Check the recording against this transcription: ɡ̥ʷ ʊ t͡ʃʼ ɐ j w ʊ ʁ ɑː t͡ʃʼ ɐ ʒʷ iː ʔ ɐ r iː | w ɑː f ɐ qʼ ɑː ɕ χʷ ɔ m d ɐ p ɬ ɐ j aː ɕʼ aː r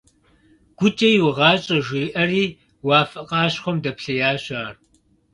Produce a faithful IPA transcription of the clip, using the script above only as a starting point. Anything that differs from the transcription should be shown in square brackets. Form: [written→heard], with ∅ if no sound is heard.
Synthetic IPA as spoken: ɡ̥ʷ ʊ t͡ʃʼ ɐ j w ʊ ʁ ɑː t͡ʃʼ ɐ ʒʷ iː ʔ ɐ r iː | w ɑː f ɐ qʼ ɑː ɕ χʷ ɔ m d ɐ p ɬ ɐ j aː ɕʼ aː r